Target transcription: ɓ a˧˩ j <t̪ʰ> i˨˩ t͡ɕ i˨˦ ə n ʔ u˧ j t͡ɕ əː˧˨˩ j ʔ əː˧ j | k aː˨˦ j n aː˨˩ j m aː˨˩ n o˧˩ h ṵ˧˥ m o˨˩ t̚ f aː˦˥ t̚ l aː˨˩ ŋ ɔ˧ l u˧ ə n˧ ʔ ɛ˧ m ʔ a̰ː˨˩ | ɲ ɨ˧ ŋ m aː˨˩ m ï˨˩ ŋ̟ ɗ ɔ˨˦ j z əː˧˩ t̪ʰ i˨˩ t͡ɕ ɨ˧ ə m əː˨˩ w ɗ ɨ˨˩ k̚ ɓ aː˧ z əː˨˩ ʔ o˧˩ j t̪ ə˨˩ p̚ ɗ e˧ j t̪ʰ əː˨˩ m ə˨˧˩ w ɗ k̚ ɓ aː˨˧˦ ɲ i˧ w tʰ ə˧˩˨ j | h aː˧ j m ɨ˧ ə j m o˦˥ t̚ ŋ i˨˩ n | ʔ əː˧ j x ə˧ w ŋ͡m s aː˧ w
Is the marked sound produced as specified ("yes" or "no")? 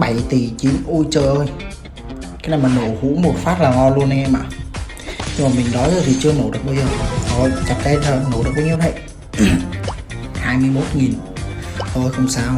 no